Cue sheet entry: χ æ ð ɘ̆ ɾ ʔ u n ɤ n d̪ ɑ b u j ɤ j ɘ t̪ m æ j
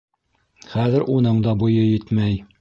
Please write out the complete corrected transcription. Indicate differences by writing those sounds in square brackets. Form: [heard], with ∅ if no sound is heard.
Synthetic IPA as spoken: χ æ ð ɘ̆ ɾ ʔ u n ɤ [ɴ] d̪ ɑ b u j ɤ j ɘ t̪ m æ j